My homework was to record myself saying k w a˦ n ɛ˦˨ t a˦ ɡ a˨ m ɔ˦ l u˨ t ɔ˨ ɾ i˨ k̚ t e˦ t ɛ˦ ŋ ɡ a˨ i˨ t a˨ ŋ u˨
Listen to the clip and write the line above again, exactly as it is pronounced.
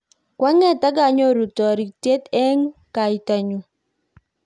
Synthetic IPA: k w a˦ ŋ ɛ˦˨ t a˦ ɡ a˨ ɲ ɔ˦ ɾ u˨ t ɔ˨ ɾ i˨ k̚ t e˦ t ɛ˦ ŋ k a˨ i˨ t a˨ ɲ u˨